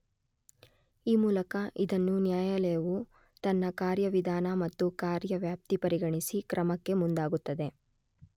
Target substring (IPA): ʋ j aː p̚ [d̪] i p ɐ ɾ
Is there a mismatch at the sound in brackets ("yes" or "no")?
yes